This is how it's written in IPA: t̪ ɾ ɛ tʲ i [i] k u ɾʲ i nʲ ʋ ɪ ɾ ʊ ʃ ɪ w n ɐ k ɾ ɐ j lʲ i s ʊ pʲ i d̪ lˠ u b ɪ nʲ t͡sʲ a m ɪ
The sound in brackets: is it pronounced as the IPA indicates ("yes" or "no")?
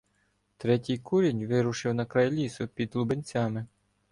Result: no